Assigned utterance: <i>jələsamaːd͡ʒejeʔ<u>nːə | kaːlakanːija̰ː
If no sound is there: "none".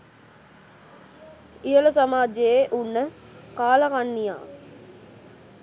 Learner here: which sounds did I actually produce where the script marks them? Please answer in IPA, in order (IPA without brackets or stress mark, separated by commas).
i, u